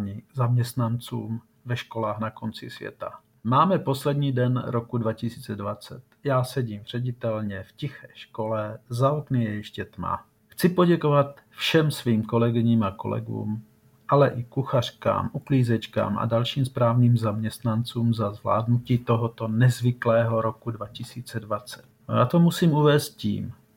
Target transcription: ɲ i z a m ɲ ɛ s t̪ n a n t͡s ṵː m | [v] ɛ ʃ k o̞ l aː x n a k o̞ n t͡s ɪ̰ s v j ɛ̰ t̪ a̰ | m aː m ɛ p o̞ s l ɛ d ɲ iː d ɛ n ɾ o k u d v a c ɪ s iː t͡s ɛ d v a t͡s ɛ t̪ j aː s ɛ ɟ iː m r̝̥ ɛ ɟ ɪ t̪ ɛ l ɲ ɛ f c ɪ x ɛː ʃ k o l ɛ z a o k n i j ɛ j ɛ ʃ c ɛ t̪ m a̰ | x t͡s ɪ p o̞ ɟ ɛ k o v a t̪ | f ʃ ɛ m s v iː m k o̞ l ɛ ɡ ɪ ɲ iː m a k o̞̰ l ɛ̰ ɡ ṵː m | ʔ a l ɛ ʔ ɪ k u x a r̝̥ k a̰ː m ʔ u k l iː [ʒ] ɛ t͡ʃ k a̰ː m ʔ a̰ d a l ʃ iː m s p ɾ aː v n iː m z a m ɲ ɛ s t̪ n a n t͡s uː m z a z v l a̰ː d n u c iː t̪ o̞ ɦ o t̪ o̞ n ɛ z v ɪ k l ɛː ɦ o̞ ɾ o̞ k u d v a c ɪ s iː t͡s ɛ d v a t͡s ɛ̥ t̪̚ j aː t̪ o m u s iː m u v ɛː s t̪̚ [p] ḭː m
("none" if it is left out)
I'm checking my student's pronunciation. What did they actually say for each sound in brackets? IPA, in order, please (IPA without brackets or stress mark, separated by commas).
v, z, c